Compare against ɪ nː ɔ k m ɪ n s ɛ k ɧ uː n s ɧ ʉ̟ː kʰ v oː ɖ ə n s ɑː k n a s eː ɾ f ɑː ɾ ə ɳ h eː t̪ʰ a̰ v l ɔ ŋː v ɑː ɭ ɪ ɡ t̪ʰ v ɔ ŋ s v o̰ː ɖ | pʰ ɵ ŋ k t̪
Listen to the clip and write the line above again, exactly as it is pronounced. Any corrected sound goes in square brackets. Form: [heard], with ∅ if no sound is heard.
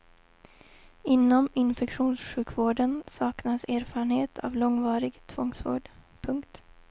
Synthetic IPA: ɪ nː ɔ [∅] m ɪ n [f] ɛ k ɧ uː n s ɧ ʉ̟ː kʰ v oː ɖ ə n s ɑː k n a s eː ɾ f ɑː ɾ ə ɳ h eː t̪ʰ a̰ v l ɔ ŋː v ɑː [ɾ] ɪ ɡ t̪ʰ v ɔ ŋ s v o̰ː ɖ | pʰ ɵ ŋ k t̪